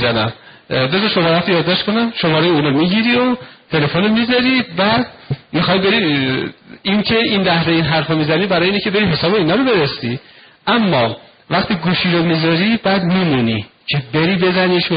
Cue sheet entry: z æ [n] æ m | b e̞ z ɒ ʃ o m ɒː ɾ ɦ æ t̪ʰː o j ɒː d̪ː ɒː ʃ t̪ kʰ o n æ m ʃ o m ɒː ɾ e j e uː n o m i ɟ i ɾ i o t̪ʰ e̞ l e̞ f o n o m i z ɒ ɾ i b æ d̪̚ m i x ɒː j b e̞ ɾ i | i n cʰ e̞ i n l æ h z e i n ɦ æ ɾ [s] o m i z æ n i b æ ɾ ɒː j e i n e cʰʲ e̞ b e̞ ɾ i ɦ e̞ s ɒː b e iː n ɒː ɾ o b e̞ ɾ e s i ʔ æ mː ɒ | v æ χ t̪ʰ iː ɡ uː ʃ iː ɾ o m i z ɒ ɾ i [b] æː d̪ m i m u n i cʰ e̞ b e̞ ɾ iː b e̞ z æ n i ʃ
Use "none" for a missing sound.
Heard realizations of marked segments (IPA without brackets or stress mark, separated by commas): n, f, b